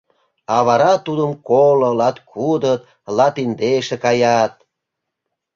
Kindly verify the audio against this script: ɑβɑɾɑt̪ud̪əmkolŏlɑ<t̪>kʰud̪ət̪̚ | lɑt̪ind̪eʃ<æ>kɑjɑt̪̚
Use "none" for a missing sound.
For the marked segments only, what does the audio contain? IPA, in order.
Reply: t̪, e

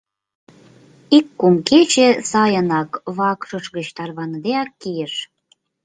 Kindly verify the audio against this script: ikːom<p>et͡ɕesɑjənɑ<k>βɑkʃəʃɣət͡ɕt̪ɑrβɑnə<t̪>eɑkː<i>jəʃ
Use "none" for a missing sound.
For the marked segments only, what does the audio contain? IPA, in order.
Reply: k, k, d̪, i

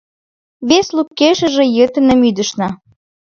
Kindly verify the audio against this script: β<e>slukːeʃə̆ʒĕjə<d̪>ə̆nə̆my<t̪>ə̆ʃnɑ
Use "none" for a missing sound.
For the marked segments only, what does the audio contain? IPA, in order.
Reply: e, t̪, d̪

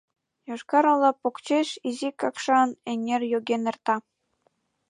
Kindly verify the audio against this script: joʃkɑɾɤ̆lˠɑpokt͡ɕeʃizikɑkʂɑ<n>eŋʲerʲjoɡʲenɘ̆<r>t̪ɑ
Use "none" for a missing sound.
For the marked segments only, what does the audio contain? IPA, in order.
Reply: n, r

